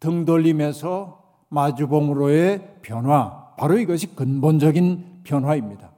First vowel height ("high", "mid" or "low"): high